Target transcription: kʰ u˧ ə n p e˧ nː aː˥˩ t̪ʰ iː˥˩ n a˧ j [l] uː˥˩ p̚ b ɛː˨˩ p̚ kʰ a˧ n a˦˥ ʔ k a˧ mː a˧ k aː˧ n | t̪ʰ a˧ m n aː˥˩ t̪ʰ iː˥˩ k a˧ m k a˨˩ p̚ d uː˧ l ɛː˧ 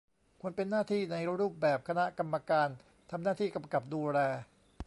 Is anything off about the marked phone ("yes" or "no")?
yes